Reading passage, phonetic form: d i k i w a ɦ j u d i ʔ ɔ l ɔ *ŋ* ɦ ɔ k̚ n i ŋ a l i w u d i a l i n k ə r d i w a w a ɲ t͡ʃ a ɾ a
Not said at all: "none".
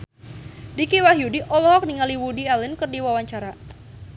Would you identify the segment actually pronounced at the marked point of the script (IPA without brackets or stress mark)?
none